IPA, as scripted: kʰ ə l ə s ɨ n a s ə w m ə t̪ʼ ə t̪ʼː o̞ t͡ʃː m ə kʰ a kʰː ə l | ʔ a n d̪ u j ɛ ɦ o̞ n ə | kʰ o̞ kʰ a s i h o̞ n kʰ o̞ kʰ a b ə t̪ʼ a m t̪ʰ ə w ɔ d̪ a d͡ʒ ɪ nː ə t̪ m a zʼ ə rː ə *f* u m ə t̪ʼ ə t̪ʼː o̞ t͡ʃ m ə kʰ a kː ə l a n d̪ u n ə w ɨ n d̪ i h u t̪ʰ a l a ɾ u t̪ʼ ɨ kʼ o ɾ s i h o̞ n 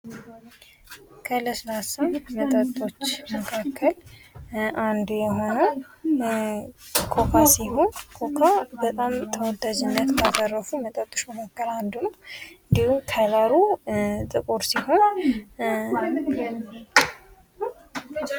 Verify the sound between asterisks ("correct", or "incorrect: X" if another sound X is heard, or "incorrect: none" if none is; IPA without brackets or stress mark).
correct